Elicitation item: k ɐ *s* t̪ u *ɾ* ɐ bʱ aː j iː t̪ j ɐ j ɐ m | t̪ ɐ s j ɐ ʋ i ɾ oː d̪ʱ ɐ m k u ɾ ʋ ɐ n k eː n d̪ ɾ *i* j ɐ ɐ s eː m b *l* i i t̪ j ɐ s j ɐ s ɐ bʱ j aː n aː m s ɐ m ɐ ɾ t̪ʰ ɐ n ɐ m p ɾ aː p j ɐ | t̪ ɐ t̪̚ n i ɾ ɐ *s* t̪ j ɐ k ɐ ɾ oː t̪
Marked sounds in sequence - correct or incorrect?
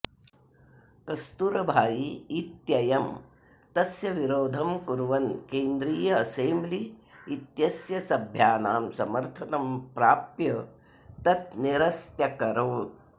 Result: correct, correct, incorrect, correct, correct

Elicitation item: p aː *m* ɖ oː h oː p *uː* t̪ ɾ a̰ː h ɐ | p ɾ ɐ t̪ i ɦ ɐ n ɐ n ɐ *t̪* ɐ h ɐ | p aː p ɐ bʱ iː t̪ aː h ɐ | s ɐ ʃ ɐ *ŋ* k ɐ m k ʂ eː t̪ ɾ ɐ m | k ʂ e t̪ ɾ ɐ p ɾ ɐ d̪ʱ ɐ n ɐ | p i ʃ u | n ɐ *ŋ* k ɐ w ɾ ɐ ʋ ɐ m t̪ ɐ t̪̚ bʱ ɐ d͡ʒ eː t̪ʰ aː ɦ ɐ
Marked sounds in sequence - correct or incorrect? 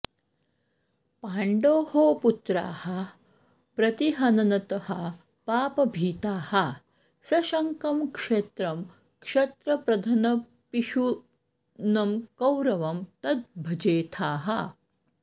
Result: incorrect, incorrect, correct, correct, incorrect

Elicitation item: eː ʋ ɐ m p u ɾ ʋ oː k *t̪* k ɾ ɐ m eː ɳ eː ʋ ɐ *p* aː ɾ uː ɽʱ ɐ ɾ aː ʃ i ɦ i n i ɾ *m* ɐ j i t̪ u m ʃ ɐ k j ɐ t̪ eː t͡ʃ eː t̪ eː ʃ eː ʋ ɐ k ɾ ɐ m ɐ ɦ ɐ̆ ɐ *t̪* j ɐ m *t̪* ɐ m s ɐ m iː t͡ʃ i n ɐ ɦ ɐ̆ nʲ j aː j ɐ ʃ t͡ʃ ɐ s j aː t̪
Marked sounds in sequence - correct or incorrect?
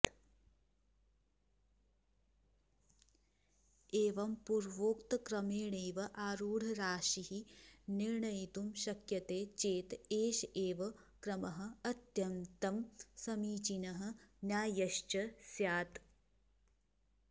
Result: correct, incorrect, incorrect, correct, correct

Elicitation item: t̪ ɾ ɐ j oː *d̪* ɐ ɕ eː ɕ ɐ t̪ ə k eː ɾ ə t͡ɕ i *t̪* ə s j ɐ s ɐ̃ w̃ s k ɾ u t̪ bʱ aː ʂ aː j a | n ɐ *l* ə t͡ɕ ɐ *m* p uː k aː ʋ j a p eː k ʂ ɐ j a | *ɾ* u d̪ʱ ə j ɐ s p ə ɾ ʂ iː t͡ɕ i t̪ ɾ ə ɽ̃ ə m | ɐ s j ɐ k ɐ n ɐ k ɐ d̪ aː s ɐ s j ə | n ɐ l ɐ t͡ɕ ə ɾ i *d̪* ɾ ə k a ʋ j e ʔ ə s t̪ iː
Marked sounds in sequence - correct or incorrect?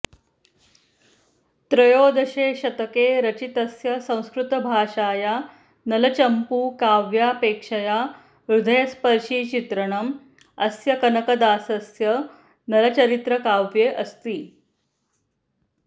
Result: correct, correct, correct, correct, correct, incorrect

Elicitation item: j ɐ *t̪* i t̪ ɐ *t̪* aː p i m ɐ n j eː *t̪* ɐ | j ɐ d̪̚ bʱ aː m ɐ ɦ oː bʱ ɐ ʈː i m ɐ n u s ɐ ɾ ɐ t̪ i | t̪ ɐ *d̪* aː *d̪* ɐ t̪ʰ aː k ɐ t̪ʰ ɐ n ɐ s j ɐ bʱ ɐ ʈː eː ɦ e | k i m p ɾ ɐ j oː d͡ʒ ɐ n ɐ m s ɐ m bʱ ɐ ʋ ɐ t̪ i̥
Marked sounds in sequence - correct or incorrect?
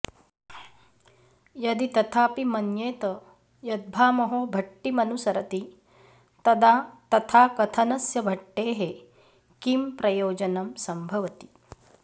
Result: incorrect, incorrect, correct, correct, incorrect

